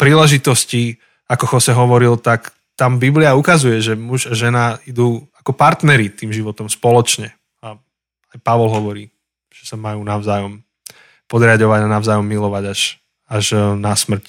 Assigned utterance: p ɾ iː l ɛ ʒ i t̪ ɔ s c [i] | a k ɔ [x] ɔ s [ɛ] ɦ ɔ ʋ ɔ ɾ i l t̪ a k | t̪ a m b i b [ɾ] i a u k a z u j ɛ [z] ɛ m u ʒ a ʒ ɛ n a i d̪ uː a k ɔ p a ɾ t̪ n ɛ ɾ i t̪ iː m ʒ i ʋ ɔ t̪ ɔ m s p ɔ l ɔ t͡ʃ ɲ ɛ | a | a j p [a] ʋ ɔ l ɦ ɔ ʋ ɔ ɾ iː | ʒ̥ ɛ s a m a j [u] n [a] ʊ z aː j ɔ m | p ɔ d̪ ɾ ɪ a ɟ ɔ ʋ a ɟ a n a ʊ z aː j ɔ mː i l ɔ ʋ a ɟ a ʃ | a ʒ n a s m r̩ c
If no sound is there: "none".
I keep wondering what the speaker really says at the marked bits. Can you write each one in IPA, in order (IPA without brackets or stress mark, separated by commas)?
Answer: i, x, ɛ, l, ʒ, a, uː, a